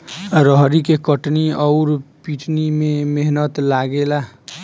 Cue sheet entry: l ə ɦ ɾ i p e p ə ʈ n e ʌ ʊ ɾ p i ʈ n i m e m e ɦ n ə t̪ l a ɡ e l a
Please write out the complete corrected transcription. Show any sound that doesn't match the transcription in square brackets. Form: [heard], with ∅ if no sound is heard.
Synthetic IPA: [ɾ] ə ɦ ɾ i [k] e [k] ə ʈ n [i] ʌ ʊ ɾ p i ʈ n i m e m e ɦ n ə t̪ l a ɡ e l a